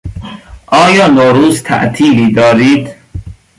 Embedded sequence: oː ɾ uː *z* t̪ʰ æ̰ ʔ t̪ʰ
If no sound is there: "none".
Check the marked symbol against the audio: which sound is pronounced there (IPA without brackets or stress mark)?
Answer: z